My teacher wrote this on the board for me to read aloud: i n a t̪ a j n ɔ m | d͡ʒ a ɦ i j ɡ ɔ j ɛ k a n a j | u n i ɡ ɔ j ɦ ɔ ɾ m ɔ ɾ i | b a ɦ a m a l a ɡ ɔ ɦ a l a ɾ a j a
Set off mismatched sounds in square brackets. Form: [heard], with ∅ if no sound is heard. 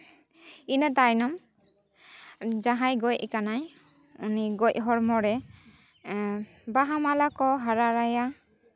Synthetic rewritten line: i n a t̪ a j n ɔ m | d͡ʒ a ɦ [a] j ɡ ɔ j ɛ k a n a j | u n i ɡ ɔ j ɦ ɔ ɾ m ɔ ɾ [ɛ] | b a ɦ a m a l a [k] ɔ ɦ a [ɾ] a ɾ a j a